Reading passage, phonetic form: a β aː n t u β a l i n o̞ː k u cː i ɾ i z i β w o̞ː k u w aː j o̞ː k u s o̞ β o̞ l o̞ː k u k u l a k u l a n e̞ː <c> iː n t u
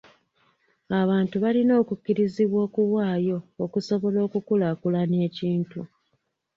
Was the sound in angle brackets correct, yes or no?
yes